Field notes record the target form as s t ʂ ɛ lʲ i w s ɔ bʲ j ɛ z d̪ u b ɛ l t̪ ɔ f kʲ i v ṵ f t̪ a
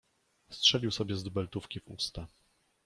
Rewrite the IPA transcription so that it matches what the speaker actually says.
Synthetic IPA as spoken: s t ʂ ɛ lʲ i w s ɔ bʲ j ɛ z d̪ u b ɛ l t̪ u f kʲ i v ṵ s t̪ a